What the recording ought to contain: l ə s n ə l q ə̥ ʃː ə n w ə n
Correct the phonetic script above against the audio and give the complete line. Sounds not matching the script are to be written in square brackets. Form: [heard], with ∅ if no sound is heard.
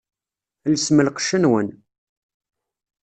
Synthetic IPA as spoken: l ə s [m] ə l q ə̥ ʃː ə n w ə n